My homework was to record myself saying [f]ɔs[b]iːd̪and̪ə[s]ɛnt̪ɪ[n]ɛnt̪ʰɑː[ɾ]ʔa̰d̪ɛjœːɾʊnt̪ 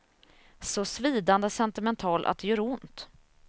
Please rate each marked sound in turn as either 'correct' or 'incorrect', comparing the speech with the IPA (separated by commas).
incorrect, incorrect, correct, incorrect, incorrect